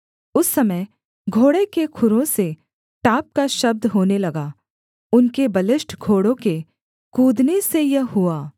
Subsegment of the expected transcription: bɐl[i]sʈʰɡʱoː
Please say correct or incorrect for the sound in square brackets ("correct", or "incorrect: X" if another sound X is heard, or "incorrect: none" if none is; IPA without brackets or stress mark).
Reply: incorrect: ɪ